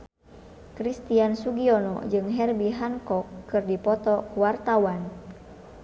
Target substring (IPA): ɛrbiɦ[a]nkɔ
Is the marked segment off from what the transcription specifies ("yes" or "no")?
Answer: no